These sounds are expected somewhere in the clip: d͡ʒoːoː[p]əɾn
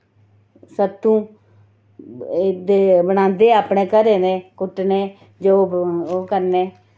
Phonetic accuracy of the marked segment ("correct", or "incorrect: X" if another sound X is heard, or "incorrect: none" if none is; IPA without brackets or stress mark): incorrect: k